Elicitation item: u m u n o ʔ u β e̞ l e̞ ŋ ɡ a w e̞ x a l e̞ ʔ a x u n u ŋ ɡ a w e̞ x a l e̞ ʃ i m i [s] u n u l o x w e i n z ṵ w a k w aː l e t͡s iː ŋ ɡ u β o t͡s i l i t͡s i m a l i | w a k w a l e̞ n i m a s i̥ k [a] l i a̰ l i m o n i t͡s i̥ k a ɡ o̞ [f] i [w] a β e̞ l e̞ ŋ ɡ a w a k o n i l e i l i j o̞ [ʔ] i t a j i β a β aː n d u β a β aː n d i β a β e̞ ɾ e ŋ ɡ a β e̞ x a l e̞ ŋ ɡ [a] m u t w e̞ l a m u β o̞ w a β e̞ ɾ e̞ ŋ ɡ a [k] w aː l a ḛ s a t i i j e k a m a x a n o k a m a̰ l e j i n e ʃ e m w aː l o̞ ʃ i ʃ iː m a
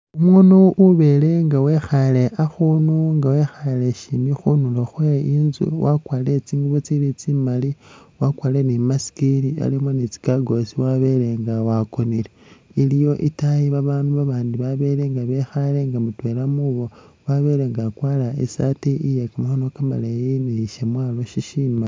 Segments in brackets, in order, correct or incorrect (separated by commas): incorrect, incorrect, incorrect, correct, correct, correct, correct